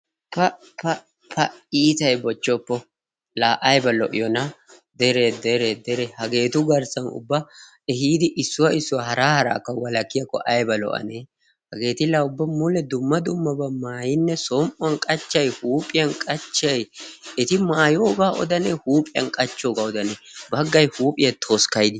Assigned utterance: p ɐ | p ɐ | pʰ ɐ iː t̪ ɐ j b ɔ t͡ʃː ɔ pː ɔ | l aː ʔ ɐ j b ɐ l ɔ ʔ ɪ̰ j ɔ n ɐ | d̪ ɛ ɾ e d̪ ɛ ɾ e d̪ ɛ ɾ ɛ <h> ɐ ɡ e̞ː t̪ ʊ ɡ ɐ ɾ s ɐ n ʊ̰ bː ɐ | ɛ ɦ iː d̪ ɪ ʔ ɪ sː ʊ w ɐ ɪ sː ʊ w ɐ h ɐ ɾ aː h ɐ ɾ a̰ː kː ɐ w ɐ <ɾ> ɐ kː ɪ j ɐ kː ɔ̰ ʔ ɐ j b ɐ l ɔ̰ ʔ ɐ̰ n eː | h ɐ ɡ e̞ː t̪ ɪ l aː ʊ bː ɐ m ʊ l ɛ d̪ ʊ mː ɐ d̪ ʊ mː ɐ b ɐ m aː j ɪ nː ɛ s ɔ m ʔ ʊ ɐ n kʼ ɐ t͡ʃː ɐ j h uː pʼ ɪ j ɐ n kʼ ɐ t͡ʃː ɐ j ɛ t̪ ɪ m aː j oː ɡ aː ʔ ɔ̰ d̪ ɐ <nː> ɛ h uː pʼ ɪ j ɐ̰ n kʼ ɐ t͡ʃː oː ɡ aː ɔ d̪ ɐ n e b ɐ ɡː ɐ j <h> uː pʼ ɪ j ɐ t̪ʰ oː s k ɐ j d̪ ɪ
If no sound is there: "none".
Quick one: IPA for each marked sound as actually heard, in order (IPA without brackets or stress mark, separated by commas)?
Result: h, l, n, h